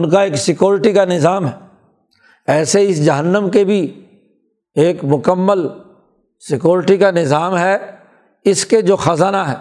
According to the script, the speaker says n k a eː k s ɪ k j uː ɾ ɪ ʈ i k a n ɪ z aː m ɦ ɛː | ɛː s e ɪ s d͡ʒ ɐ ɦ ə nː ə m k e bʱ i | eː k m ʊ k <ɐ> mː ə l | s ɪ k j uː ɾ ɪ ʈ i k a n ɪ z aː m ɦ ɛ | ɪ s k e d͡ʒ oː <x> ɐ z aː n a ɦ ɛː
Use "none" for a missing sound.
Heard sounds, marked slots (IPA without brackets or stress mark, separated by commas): ə, x